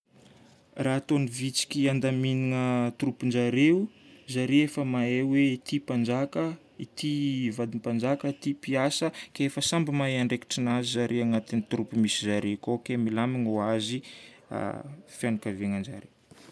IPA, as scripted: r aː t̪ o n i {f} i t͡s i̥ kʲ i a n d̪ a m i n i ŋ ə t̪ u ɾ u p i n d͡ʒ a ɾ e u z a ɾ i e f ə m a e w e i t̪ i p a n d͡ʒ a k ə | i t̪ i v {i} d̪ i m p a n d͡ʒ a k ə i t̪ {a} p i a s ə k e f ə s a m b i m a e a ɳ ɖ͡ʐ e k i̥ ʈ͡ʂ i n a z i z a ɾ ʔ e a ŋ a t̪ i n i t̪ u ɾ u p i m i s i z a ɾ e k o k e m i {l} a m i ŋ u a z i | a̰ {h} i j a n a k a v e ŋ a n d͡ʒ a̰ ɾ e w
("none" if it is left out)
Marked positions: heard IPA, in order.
v, a, i, l, f

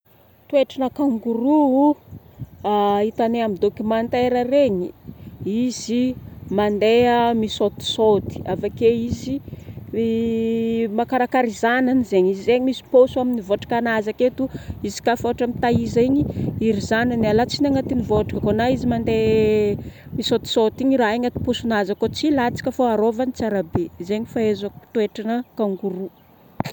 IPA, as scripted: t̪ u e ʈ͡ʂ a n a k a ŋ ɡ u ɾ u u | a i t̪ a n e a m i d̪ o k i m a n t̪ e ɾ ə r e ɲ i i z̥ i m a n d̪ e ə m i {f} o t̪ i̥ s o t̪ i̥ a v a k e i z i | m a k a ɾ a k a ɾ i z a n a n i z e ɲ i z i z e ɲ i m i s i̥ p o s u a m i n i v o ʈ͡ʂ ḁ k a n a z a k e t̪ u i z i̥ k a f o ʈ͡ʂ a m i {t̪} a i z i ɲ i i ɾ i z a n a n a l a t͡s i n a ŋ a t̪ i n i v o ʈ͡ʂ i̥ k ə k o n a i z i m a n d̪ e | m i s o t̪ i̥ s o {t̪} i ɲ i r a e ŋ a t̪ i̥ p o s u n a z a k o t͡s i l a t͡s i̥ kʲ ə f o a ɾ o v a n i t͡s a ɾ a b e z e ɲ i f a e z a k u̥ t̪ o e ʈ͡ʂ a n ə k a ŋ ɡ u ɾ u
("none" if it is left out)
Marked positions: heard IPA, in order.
s, t̪, t̪

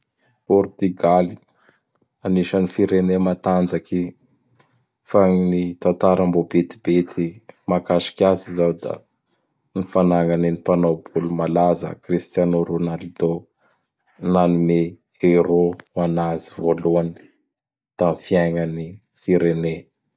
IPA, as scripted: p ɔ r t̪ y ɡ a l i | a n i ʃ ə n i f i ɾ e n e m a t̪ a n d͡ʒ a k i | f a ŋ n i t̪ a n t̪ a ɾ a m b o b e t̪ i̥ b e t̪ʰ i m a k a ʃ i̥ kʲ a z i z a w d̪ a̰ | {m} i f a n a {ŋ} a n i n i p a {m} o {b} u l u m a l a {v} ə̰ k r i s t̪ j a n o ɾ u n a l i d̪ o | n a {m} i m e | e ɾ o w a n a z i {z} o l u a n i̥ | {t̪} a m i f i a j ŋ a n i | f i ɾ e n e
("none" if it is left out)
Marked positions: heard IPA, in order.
n, ŋ, n, b, z, n, v, t̪

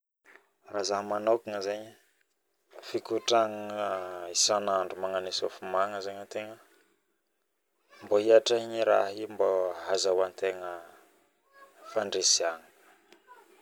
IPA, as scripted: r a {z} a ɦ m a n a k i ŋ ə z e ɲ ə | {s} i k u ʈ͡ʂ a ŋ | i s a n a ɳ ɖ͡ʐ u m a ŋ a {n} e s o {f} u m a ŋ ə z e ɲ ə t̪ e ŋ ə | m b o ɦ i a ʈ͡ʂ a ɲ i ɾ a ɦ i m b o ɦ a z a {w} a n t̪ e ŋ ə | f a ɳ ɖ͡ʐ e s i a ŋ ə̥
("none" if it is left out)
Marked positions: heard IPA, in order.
z, f, n, f, w

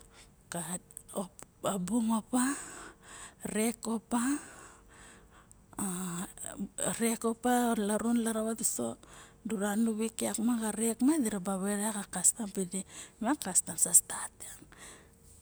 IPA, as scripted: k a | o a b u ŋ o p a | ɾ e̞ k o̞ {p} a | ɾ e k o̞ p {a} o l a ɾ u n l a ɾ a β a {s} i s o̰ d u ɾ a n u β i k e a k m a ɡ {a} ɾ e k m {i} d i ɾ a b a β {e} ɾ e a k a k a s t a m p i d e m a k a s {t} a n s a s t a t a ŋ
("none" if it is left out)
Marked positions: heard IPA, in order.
p, a, t, a, a, e, t

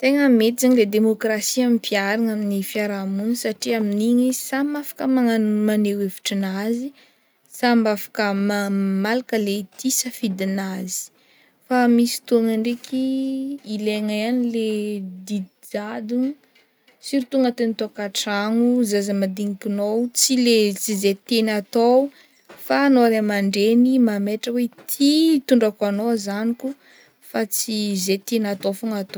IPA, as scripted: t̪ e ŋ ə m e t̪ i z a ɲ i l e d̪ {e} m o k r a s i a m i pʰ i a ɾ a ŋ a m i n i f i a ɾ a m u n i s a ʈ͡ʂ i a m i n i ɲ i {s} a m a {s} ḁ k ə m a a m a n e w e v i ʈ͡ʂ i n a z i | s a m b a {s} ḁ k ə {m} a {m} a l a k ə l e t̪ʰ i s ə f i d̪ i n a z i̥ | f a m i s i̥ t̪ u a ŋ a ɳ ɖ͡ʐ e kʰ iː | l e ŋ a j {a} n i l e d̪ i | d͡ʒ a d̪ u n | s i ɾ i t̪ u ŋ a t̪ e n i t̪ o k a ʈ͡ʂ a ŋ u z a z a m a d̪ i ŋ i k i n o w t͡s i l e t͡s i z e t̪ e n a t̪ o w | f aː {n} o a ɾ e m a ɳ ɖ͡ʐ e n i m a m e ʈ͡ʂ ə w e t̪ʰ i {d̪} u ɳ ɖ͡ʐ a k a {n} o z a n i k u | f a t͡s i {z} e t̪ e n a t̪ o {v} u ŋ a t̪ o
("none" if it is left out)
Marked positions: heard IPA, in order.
e, s, f, f, m, m, a, n, t̪, n, z, f

